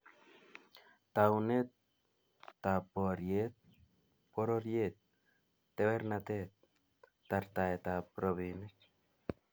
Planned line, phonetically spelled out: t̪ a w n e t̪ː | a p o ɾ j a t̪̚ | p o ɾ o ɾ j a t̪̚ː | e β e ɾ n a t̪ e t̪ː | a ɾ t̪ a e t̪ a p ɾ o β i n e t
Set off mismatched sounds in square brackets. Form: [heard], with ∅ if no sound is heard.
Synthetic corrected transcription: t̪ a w n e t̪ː | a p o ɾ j [e] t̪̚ | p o ɾ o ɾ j [e] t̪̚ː | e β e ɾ n a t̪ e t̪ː | a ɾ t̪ a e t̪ a p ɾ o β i n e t